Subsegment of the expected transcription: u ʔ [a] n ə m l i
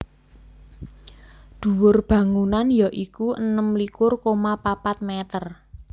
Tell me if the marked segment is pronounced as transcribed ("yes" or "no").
no